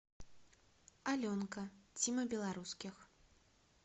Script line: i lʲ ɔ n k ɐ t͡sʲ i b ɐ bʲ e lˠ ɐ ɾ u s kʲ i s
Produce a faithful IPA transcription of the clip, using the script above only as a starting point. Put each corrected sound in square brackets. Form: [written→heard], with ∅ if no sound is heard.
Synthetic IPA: [i→a] lʲ ɔ n k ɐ t͡sʲ i [b→m] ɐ bʲ [e→ɛ] lˠ [ɐ→a] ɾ u s kʲ i [s→x]